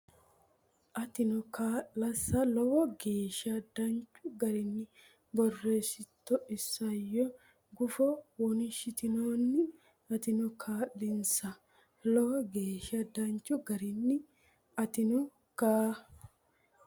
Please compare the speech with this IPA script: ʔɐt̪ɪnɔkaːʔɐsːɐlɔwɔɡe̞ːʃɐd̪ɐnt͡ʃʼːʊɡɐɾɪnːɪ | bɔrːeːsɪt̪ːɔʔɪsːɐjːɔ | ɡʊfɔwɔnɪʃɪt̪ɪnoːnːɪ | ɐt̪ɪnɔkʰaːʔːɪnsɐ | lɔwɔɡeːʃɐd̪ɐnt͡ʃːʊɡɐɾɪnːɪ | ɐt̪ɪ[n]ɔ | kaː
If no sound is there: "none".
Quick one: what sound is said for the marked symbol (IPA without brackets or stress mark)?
n